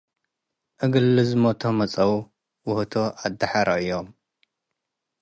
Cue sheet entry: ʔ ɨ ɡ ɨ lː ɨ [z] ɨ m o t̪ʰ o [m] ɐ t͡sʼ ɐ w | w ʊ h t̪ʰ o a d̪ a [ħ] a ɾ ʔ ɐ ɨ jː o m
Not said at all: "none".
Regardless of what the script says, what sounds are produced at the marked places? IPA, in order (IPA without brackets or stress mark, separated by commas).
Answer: z, m, ħ